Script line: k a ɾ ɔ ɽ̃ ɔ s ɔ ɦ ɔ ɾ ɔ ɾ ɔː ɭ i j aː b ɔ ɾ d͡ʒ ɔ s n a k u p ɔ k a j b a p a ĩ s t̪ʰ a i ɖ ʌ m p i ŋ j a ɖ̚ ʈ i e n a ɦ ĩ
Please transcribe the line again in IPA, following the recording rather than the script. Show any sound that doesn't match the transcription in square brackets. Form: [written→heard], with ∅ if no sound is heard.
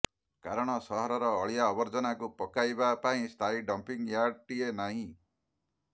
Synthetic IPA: k a ɾ ɔ ɽ̃ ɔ s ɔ ɦ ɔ ɾ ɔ ɾ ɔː ɭ i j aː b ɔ ɾ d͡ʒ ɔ [s→∅] n a k u p ɔ k a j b a p a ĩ s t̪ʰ a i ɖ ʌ m p i ŋ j a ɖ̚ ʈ i e n a ɦ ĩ